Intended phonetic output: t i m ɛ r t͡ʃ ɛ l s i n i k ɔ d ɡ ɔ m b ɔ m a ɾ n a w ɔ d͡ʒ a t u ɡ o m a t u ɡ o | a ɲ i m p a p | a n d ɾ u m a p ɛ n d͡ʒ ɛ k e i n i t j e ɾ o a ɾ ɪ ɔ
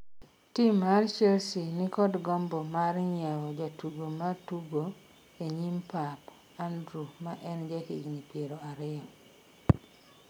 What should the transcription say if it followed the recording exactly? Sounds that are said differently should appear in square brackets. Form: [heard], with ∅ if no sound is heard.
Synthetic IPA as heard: t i m [a] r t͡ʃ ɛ l s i n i k ɔ d ɡ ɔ m b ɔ m a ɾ [ɲ] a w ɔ d͡ʒ a t u ɡ o m a t u ɡ o | [e] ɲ i m p a p | a n d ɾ u m a [ʔ] ɛ n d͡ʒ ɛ k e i n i [p] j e ɾ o a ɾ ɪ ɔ